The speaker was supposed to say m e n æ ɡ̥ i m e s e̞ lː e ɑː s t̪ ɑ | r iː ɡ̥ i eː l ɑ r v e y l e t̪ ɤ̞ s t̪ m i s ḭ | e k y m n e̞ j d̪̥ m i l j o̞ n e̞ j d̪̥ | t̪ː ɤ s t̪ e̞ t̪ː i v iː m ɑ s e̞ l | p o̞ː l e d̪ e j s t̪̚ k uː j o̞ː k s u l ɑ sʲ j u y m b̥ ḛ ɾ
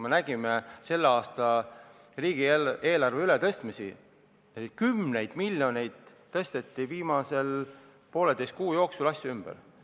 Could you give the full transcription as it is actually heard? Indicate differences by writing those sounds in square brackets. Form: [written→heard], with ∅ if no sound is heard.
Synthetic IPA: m e n æ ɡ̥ i m e s e̞ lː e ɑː s t̪ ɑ | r iː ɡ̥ i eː l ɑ r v e y l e t̪ ɤ̞ s t̪ m i s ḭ | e k y m n e̞ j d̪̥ m i l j o̞ n e̞ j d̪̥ | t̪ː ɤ s t̪ e̞ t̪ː i v iː m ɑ s e̞ l | p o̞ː l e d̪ e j s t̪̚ k uː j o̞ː k s u l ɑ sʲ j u y m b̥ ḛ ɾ